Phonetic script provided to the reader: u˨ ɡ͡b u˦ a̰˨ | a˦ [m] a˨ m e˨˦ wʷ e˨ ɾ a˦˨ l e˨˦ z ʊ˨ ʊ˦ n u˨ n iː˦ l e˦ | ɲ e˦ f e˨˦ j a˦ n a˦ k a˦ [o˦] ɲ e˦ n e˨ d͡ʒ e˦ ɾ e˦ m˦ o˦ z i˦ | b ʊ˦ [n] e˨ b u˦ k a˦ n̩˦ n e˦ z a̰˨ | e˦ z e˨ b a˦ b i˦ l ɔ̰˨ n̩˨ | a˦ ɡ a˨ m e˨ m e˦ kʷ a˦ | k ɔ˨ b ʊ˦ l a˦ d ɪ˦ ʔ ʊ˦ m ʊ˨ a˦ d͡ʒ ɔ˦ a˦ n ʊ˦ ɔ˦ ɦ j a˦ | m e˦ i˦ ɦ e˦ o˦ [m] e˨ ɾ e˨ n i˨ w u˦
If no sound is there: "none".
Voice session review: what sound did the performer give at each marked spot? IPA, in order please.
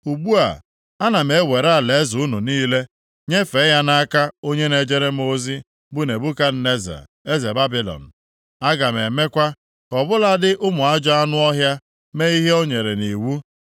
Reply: n, o˦, n, ɲ

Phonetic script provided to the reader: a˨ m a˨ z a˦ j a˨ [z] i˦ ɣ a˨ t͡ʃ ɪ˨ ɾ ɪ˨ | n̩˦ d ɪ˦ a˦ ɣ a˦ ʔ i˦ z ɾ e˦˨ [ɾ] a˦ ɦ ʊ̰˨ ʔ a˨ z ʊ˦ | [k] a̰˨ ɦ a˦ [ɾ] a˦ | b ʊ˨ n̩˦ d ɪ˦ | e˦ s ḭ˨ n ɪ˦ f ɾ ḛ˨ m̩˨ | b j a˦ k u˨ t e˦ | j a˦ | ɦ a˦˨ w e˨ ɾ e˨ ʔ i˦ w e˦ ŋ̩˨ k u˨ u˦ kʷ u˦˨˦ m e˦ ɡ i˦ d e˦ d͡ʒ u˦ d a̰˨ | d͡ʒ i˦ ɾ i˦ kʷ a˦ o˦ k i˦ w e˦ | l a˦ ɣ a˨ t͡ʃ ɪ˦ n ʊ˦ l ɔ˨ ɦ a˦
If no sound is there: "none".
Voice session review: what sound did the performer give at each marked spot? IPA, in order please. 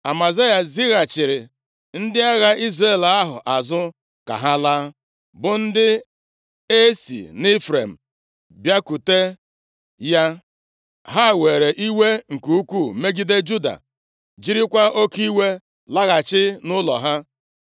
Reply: z, l, k, l

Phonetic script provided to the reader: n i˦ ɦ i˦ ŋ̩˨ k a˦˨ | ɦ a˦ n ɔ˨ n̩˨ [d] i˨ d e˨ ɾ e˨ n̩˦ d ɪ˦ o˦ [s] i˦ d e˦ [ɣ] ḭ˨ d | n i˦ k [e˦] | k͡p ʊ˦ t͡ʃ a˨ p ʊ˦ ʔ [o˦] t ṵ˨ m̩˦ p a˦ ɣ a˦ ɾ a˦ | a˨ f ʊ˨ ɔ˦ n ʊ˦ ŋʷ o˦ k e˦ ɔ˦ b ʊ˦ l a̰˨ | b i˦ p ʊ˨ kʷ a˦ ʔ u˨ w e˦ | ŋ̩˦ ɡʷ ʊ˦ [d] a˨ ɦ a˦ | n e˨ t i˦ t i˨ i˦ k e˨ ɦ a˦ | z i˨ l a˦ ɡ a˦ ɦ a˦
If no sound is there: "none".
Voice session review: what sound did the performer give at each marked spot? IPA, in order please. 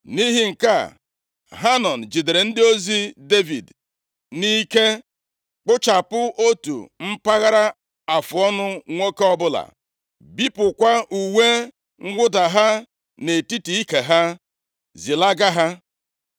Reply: d͡ʒ, z, v, e˦, o˦, d

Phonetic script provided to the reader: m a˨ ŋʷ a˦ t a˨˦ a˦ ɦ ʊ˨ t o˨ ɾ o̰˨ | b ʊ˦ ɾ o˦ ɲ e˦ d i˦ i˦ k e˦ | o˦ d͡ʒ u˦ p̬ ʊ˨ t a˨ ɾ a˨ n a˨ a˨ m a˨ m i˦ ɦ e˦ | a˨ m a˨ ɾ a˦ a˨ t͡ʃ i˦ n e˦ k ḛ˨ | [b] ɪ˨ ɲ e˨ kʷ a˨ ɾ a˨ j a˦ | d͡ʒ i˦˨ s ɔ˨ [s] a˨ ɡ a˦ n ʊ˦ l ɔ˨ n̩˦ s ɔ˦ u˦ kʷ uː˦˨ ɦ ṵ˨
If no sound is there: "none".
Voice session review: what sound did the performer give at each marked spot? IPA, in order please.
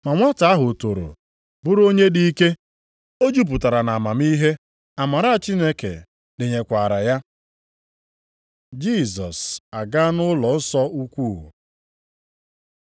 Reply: d, s

